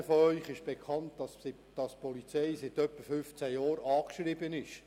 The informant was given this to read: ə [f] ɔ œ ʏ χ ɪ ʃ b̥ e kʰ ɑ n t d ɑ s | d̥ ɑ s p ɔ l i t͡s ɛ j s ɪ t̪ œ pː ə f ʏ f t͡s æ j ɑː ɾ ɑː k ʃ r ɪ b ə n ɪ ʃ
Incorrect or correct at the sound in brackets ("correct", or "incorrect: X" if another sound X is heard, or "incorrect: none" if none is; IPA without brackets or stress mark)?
correct